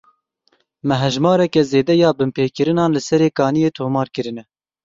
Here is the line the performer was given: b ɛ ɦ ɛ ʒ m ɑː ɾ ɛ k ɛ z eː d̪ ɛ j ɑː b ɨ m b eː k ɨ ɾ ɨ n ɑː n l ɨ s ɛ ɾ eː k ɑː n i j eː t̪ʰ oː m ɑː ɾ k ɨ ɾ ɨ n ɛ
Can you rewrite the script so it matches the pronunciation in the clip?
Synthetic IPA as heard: m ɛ ɦ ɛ ʒ m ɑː ɾ ɛ k ɛ z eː d̪ ɛ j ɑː b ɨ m p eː k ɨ ɾ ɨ n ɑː n l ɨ s ɛ ɾ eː k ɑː n i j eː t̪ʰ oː m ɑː ɾ k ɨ ɾ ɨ n ɛ